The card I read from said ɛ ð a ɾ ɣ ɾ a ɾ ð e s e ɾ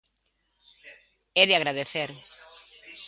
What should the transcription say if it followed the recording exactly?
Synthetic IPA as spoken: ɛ ð a ɣ ɾ a ð e θ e ɾ